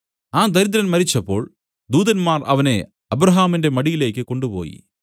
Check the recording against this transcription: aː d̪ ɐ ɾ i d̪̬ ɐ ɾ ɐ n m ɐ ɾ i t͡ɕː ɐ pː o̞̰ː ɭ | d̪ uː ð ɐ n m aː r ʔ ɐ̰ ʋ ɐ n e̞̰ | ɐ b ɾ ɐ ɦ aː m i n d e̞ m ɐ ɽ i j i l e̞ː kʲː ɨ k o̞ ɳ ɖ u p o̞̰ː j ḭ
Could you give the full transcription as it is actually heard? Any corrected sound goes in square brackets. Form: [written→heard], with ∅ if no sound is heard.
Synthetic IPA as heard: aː d̪ ɐ ɾ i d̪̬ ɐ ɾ ɐ n m ɐ ɾ i t͡ɕː ɐ pː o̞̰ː ɭ | d̪ uː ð ɐ n m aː r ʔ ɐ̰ ʋ ɐ n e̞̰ | ɐ b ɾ ɐ ɦ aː m i n d e̞ m ɐ ɽ i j i l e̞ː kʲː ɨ k o̞ ɳ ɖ u p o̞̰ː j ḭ